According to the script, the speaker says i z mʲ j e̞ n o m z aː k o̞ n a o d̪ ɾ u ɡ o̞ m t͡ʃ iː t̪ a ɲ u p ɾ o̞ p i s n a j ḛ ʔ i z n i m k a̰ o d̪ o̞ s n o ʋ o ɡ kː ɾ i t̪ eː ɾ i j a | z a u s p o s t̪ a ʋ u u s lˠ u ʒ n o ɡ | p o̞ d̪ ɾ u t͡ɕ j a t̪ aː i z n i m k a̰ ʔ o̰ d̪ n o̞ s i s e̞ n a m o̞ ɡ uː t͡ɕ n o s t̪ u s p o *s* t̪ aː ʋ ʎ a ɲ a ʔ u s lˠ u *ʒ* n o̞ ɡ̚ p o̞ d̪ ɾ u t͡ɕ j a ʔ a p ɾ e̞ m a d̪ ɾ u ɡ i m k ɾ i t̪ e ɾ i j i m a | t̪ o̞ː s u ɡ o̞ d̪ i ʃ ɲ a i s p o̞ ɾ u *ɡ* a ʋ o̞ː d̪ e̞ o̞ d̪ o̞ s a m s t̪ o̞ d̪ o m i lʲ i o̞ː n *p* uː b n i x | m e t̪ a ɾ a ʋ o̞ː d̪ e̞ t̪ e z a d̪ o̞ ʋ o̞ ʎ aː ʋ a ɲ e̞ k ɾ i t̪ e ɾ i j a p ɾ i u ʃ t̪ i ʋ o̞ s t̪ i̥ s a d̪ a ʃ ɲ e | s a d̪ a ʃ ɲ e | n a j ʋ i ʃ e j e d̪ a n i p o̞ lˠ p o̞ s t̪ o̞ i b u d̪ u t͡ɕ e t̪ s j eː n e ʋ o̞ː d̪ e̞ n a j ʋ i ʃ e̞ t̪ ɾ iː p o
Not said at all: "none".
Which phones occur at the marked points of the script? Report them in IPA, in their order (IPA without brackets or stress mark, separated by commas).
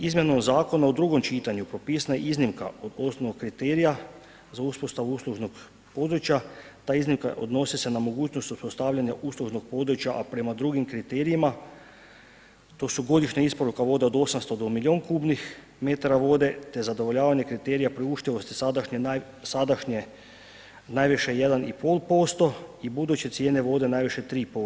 s, ʒ, k, k